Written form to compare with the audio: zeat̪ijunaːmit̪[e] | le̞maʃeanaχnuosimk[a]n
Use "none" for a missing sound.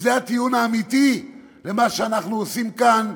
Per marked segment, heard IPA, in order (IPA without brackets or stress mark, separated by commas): i, a